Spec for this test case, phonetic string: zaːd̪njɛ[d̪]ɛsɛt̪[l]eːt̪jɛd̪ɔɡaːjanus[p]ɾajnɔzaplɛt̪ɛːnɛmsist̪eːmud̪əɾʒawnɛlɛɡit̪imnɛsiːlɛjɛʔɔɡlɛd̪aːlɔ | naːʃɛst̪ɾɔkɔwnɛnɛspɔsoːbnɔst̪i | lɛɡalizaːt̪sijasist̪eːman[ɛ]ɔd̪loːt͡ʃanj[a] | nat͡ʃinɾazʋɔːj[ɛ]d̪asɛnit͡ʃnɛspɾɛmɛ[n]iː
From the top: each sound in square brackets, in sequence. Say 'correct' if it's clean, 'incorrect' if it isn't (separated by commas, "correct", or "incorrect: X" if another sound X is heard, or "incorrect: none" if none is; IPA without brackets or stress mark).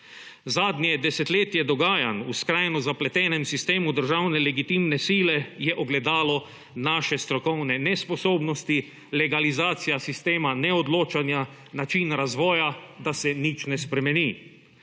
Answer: correct, correct, incorrect: k, correct, correct, incorrect: a, correct